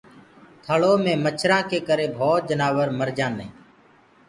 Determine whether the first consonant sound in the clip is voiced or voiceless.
voiceless